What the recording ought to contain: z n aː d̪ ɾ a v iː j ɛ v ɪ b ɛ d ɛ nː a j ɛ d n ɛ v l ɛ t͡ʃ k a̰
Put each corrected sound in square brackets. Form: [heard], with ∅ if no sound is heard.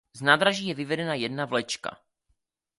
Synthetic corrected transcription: z n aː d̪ ɾ a [ʒ] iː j ɛ v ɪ [v] ɛ d ɛ [n] a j ɛ d n [a] v l ɛ t͡ʃ k a̰